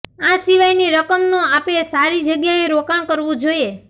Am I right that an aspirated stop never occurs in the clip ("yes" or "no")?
yes